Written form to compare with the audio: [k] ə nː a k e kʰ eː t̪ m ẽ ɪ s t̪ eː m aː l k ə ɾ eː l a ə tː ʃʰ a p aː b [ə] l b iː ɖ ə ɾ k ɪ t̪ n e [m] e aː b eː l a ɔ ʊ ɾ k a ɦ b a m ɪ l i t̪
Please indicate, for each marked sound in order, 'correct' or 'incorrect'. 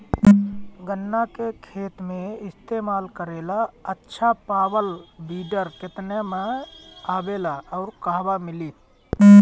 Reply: incorrect: ɡ, correct, correct

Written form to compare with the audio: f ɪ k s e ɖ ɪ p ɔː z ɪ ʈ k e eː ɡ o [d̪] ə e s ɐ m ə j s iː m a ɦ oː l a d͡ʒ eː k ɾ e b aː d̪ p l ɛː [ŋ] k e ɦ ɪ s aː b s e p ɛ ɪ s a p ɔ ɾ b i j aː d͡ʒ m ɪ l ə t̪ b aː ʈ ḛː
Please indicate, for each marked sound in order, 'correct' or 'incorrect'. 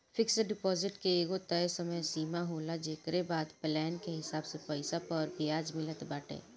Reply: incorrect: t̪, incorrect: n

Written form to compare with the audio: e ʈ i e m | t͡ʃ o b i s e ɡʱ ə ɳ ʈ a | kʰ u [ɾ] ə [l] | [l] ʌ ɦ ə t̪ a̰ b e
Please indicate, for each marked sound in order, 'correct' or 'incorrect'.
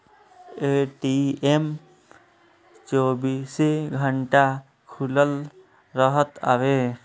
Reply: incorrect: l, correct, incorrect: ɾ

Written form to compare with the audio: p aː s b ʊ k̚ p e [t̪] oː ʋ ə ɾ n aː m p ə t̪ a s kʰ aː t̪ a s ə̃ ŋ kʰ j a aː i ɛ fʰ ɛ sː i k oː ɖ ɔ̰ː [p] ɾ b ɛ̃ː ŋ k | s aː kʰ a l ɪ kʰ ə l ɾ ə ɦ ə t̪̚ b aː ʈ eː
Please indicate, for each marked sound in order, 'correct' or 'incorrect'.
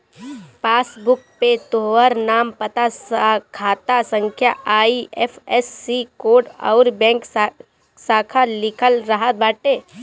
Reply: correct, incorrect: none

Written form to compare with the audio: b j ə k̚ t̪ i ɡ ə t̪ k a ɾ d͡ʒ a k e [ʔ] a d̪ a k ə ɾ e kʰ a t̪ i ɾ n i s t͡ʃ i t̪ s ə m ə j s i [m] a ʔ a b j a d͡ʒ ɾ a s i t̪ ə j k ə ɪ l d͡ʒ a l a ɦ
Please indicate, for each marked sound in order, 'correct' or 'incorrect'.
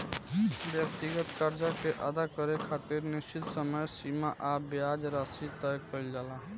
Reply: correct, correct

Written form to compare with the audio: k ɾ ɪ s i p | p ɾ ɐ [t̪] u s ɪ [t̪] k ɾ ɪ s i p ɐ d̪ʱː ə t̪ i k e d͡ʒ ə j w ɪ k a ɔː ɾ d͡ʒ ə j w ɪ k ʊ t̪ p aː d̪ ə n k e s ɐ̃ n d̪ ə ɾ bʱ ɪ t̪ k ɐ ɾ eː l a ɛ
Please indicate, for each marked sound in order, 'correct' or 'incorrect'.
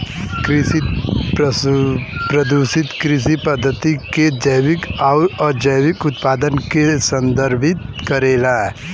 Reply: incorrect: d̪, correct

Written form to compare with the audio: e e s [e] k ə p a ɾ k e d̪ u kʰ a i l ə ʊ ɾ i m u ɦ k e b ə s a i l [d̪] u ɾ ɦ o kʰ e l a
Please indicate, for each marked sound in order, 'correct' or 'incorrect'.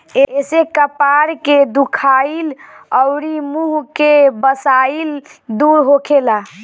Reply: correct, correct

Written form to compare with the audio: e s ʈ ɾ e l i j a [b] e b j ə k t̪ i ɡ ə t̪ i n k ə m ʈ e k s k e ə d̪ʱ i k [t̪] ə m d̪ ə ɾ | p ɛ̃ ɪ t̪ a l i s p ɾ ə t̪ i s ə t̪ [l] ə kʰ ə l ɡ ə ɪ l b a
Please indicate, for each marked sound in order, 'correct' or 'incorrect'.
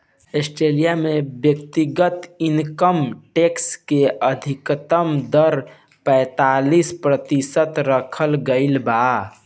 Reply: incorrect: m, correct, incorrect: ɾ

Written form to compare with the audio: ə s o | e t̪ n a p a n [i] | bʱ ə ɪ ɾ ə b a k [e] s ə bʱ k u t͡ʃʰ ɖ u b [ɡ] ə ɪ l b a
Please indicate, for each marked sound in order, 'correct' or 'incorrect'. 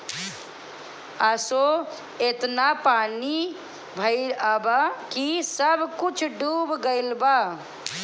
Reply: correct, incorrect: i, correct

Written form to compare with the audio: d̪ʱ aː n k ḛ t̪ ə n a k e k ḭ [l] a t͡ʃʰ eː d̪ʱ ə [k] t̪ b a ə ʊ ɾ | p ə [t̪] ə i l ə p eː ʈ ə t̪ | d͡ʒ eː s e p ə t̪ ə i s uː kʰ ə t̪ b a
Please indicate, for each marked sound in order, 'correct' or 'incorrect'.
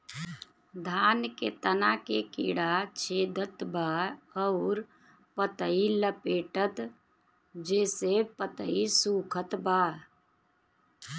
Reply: incorrect: ɽ, incorrect: none, correct

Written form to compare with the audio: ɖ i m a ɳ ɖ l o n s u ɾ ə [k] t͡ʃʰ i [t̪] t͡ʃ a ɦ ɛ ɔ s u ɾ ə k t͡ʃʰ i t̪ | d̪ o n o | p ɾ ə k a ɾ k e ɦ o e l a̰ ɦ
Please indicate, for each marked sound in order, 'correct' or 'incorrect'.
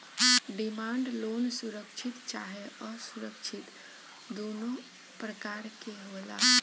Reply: correct, correct

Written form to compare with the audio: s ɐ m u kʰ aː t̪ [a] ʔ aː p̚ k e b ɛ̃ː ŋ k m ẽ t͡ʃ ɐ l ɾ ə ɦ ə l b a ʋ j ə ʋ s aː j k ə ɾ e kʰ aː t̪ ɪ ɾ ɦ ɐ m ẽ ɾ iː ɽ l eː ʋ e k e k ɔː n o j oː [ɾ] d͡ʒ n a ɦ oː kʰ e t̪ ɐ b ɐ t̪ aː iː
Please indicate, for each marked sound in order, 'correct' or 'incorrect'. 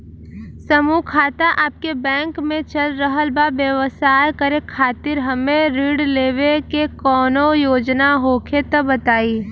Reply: correct, incorrect: none

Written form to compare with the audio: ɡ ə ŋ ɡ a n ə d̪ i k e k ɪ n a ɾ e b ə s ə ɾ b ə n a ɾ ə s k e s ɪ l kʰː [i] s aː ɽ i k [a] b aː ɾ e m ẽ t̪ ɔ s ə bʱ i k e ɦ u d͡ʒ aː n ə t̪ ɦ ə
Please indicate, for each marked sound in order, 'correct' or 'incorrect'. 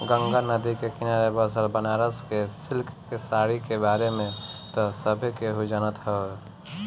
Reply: incorrect: e, incorrect: e

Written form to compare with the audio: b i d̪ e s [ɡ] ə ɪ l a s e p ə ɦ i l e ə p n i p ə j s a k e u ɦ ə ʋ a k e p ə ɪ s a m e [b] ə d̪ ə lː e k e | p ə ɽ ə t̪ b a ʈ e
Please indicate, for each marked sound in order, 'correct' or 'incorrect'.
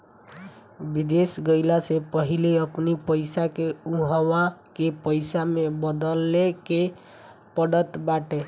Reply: correct, correct

